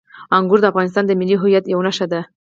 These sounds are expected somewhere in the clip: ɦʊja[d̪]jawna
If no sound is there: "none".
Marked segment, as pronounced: t̪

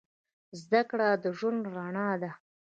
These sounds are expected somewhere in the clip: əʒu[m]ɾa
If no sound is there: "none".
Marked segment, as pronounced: n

